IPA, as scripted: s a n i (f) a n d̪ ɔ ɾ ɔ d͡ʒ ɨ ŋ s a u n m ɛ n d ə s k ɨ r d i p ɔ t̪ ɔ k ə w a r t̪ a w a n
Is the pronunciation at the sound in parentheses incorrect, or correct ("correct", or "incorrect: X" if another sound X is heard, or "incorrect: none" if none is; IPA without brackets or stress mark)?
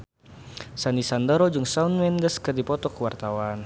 incorrect: s